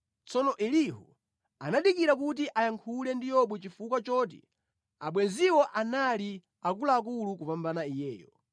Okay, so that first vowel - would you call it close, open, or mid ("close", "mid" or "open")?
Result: mid